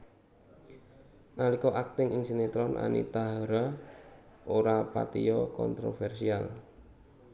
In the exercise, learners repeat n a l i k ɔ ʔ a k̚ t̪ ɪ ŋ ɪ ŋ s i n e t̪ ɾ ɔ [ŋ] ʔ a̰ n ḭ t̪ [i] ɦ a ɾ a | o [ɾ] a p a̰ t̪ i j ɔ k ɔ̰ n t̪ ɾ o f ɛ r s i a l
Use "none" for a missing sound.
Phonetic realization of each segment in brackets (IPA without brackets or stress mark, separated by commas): n, a, ɾ